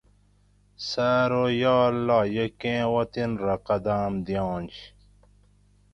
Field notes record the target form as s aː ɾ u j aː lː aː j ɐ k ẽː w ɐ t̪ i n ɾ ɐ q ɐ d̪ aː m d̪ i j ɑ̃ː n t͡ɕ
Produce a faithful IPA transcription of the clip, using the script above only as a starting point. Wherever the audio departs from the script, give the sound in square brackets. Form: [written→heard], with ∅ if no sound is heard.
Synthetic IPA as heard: s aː ɾ [u→o] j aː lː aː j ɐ k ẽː w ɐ t̪ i n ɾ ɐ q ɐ d̪ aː m d̪ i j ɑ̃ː n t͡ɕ